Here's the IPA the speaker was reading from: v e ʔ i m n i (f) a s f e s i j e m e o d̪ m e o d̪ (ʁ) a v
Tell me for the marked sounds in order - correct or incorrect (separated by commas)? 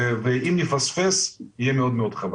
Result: correct, incorrect